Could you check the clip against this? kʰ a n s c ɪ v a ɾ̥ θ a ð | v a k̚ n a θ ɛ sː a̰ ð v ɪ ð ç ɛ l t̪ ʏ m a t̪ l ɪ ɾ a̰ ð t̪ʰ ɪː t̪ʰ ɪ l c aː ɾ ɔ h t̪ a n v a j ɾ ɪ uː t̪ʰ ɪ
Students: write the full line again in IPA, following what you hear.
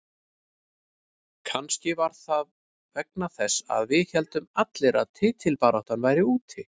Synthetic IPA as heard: kʰ a n s c ɪ v a ɾ̥ θ a ð | v ɛ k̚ n a θ ɛ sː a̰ ð v ɪ ð ç ɛ l t̪ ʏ m a t̪ l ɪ ɾ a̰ ð t̪ʰ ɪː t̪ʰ ɪ l p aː ɾ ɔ h t̪ a n v a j ɾ ɪ uː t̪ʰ ɪ